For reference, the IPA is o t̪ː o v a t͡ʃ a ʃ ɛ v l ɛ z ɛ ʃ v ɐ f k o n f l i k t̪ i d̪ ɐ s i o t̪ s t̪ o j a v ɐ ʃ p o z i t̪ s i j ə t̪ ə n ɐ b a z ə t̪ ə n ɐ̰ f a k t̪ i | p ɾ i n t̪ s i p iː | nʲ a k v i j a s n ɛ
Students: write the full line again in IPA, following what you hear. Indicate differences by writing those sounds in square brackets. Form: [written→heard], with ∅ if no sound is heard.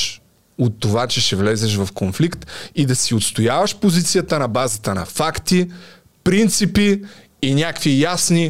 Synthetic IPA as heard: o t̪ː o v a t͡ʃ [a→ɛ] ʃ ɛ v l ɛ z ɛ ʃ v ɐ f k o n f l i k t̪ i d̪ ɐ s i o t̪ s t̪ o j a v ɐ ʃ p o z i t̪ s i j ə t̪ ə n ɐ b a z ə t̪ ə n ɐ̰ f a k t̪ i | p ɾ i n t̪ s i p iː | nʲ a k v i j a s n [ɛ→i]